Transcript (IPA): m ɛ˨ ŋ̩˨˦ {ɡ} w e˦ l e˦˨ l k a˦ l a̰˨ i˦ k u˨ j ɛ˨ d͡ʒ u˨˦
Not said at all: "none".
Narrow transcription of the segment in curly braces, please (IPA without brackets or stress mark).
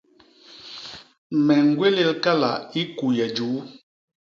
ɡ